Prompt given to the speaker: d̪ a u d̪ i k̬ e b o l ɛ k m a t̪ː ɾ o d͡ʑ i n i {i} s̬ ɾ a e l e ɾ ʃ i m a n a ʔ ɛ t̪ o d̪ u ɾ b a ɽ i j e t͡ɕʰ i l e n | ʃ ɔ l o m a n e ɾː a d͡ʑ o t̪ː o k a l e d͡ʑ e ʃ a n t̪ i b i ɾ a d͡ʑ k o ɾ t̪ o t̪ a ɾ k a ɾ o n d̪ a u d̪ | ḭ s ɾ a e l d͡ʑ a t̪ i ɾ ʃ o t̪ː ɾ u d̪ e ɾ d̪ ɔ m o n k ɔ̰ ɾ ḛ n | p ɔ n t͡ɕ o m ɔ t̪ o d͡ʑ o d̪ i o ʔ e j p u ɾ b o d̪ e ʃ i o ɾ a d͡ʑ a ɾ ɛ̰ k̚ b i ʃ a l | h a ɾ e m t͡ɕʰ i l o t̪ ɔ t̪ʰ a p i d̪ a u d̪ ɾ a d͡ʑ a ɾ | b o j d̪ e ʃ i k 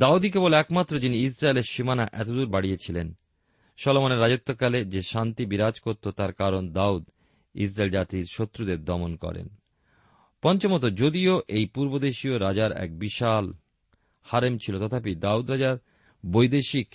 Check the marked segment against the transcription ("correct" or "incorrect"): correct